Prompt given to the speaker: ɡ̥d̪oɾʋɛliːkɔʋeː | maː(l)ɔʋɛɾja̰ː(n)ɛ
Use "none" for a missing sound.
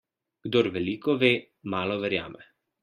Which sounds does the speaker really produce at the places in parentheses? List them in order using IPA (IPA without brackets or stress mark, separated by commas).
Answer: l, m